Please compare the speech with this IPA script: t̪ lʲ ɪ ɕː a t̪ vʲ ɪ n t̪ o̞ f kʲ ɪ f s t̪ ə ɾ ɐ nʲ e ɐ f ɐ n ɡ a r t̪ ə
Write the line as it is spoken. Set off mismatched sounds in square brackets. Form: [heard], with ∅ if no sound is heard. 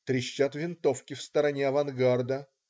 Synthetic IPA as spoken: t̪ [ɾʲ] ɪ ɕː a t̪ vʲ ɪ n t̪ o̞ f kʲ ɪ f s t̪ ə ɾ ɐ nʲ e ɐ [v] ɐ n ɡ a r [d̪] ə